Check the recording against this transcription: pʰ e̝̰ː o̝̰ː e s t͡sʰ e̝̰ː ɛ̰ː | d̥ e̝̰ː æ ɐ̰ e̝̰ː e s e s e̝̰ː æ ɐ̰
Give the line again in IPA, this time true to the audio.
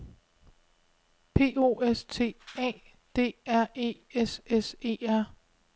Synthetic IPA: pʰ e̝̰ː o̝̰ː e s t͡sʰ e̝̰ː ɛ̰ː | d̥ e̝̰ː æ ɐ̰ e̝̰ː e s e s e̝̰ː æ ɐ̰

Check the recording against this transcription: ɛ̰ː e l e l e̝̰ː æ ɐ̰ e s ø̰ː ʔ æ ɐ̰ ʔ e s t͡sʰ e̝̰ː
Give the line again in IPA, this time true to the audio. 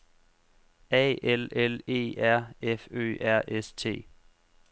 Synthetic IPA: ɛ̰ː e l e l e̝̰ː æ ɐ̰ e f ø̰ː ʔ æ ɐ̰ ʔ e s t͡sʰ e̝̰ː

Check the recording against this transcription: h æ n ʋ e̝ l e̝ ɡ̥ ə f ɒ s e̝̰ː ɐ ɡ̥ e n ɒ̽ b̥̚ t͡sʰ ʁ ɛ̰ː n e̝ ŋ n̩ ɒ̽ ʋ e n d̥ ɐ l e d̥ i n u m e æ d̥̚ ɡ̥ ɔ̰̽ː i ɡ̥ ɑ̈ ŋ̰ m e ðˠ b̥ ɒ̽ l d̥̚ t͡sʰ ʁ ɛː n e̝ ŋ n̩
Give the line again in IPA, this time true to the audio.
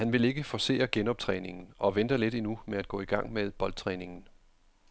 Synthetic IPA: h æ n ʋ e̝ l e̝ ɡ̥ ə f ɒ s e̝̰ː ɐ ɡ̥ e n ɒ̽ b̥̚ t͡sʰ ʁ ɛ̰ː n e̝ ŋ n̩ ɒ̽ ʋ e n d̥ ɐ l e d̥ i n u m e æ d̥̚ ɡ̥ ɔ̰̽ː i ɡ̥ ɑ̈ ŋ̰ m e ðˠ b̥ ɒ̽ l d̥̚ t͡sʰ ʁ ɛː n e̝ ŋ n̩

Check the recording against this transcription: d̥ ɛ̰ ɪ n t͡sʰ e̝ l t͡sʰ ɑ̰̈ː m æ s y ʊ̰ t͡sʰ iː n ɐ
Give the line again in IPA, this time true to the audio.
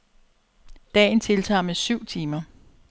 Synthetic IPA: d̥ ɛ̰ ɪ n t͡sʰ e̝ l t͡sʰ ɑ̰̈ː m e s y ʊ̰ t͡sʰ iː m ɐ

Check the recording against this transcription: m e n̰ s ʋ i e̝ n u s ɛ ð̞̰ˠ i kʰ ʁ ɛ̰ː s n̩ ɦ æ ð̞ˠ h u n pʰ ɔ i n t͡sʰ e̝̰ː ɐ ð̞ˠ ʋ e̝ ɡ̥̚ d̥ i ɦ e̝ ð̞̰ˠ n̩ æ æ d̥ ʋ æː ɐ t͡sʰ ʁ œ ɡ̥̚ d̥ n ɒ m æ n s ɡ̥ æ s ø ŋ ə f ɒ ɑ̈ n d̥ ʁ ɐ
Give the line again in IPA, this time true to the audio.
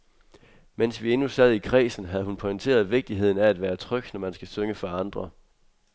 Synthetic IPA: m e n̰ s ʋ i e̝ n u s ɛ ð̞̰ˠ i kʰ ʁ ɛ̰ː s n̩ ɦ æ ð̞ˠ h u n pʰ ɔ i n t͡sʰ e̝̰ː ɐ ð̞ˠ ʋ e̝ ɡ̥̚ d̥ i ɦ e̝ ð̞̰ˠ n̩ æ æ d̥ ʋ æː ɐ t͡sʰ ʁ œ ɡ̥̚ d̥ n ɒ m æ n s ɡ̥ æ s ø ŋ ə f ɒ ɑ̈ n d̥ ʁ ɐ

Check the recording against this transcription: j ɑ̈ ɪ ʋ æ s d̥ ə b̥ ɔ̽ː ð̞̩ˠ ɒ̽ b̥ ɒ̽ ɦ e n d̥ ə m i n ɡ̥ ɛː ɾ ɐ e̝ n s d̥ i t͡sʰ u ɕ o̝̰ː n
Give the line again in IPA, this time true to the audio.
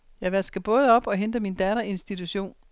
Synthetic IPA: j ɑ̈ ɪ ʋ æ s ɡ̥ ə b̥ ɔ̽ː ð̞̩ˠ ɒ̽ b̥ ɒ̽ ɦ e n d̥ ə m i n d̥ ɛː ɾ ɐ e̝ n s d̥ i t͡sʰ u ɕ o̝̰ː n

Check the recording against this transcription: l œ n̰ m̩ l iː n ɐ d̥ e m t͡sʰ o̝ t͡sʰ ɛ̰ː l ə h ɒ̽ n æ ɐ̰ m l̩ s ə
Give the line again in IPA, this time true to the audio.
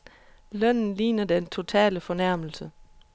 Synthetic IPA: l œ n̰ n̩ l iː n ɐ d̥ e n t͡sʰ o̝ t͡sʰ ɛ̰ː l ə f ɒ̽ n æ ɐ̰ m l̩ s ə

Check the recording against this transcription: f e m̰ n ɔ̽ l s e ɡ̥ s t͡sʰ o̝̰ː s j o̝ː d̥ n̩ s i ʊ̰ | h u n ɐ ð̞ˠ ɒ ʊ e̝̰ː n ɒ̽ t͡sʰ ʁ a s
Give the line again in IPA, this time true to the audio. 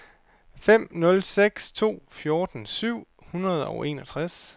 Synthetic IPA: f e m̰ n ɔ̽ l s e ɡ̥ s t͡sʰ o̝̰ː f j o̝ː d̥ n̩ s y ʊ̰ | h u n ɐ ð̞ˠ ɒ ʊ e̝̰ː n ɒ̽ t͡sʰ ʁ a s

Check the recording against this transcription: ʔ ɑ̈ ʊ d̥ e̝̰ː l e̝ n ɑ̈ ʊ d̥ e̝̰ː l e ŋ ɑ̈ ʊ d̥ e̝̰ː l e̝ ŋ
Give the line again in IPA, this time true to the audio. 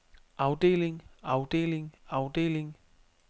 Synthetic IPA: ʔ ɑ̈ ʊ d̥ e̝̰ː l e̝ ŋ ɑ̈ ʊ d̥ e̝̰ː l e ŋ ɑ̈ ʊ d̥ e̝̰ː l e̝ ŋ

